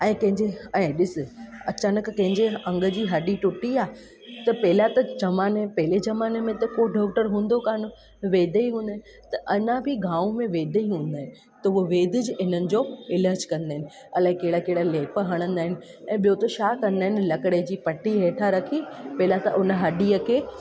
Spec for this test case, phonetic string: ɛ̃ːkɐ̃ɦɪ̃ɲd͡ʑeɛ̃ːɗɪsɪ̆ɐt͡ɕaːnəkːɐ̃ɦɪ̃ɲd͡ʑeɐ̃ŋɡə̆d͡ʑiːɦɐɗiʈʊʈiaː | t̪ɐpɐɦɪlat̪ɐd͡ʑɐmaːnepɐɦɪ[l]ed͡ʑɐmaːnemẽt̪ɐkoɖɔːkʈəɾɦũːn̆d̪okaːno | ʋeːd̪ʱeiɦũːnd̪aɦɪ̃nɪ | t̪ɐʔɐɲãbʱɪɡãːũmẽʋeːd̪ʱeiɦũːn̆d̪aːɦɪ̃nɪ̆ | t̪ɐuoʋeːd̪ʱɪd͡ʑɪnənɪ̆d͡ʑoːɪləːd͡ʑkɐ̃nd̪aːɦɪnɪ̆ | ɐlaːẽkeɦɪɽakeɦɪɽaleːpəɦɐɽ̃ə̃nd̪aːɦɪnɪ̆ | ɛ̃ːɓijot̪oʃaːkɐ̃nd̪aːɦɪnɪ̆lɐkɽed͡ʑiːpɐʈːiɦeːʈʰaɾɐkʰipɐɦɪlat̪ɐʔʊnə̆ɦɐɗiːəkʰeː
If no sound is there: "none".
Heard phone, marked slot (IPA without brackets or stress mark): l